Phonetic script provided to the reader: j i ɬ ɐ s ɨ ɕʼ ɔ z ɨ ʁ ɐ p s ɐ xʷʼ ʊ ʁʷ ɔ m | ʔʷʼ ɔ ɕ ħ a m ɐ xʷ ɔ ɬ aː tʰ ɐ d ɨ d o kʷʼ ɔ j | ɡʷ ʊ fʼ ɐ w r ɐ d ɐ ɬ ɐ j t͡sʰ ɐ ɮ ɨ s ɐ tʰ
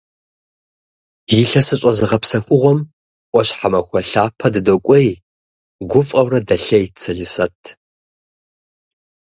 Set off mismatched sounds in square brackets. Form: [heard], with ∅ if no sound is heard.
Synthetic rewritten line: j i ɬ ɐ s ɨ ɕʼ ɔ z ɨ ʁ ɐ p s ɐ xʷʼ ʊ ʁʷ ɔ m | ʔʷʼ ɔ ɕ ħ a m ɐ xʷ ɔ ɬ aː [pʰ] ɐ d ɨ d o kʷʼ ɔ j | ɡʷ ʊ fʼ ɐ w r ɐ d ɐ ɬ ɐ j t͡sʰ ɐ ɮ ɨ s ɐ tʰ